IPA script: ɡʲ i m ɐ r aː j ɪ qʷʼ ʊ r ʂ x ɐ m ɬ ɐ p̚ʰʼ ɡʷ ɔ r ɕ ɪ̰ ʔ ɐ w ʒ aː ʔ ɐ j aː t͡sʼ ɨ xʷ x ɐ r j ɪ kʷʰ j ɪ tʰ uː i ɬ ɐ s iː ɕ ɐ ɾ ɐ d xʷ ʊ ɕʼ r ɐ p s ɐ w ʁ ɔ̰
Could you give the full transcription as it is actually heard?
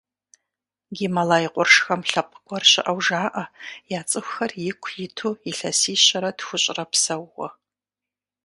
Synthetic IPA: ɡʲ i m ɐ l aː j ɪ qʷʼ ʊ r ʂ x ɐ m ɬ ɐ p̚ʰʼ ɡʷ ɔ r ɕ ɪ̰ ʔ ɐ w ʒ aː ʔ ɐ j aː t͡sʼ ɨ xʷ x ɐ r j ɪ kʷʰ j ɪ tʰ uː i ɬ ɐ s iː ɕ ɐ ɾ ɐ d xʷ ʊ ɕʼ r ɐ p s ɐ w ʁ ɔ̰